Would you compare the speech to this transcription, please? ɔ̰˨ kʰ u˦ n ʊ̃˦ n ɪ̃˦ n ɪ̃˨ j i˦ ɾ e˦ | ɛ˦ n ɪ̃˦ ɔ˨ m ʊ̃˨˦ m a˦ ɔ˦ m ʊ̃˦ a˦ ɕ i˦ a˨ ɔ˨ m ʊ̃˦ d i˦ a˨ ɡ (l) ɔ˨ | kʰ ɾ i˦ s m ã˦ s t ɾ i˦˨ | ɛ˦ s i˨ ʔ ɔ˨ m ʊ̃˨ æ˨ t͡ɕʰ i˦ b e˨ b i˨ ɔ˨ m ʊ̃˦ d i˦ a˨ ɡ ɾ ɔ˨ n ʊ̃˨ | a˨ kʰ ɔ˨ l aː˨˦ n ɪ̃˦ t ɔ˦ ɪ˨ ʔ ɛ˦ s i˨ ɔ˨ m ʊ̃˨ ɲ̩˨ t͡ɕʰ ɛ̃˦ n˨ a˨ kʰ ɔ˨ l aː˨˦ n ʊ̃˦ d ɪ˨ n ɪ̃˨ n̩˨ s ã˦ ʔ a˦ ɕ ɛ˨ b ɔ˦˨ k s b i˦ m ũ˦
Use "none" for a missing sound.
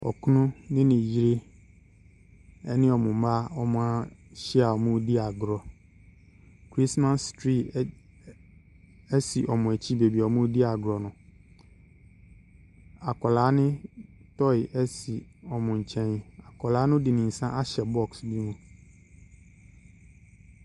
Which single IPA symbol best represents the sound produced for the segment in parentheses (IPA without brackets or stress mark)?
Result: ɾ